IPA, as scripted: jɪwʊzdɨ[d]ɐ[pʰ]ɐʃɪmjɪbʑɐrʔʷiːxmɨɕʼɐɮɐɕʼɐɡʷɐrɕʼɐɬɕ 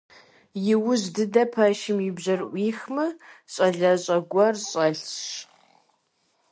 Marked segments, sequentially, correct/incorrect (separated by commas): correct, correct